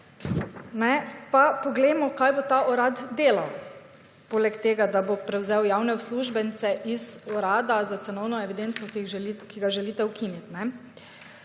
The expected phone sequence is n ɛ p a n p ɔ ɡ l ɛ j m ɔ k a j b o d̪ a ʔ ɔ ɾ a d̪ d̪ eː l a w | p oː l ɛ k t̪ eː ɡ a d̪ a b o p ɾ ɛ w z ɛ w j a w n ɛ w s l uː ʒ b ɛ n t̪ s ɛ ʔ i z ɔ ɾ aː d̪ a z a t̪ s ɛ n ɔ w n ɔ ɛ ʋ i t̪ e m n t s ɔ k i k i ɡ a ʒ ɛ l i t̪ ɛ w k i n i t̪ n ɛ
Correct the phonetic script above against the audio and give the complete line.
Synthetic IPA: n ɛ p a p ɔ ɡ l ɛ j m ɔ k a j b o t̪ a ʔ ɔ ɾ a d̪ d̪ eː l a w | p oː l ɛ k t̪ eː ɡ a d̪ a b o p ɾ ɛ w z ɛ w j a w n ɛ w s l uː ʒ b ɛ n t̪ s ɛ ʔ i z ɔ ɾ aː d̪ a z a t̪ s ɛ n ɔ w n ɔ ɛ ʋ i d̪ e n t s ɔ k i k i ɡ a ʒ ɛ l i t̪ ɛ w k i n i t̪ n ɛ